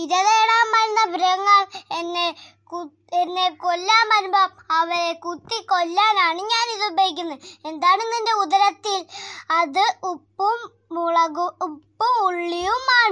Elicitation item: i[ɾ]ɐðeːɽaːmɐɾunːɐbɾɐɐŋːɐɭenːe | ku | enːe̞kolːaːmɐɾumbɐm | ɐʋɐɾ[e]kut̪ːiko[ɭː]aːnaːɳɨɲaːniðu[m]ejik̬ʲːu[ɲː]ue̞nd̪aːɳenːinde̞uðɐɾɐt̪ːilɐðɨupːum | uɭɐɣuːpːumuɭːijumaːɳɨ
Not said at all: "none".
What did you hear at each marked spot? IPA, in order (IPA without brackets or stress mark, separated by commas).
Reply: ɾ, e, lː, b, nː